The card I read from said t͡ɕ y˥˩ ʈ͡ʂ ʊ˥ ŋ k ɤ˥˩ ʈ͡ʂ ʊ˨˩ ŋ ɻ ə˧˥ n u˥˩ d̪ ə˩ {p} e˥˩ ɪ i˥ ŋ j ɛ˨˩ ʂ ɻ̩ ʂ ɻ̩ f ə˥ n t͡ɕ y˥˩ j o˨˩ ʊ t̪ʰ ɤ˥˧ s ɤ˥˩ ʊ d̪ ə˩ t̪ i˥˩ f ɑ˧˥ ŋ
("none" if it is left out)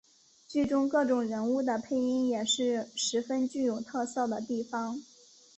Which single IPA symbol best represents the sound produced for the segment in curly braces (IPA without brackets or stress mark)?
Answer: pʰ